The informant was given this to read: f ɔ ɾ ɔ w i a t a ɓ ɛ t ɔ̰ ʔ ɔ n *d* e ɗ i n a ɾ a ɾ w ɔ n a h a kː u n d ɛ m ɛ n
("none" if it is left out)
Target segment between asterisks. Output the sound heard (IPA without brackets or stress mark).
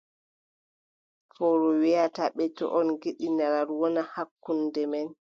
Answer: ɡ